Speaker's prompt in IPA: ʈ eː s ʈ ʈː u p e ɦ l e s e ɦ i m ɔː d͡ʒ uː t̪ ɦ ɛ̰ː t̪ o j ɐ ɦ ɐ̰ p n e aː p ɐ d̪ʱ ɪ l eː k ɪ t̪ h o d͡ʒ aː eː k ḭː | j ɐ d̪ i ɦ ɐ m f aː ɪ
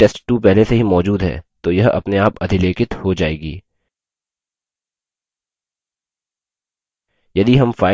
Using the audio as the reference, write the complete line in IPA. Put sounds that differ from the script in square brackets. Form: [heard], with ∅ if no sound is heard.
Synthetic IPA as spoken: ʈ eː s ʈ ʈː u p [ɛ] ɦ l e s e ɦ i m ɔː d͡ʒ uː [d̪] ɦ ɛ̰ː t̪ o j ɐ ɦ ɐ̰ p n e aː p ɐ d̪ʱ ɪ l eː k ɪ t̪ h o d͡ʒ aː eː [ɡ] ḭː | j ɐ d̪ i ɦ ɐ m f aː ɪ